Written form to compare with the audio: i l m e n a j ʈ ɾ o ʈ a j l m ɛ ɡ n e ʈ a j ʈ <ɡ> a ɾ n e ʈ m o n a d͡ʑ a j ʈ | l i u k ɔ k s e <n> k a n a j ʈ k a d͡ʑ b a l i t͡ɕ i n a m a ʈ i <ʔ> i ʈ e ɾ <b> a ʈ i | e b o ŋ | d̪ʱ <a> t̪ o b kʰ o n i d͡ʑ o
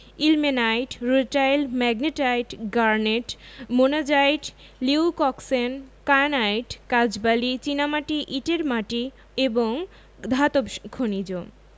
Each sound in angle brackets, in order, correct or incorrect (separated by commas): correct, correct, correct, incorrect, correct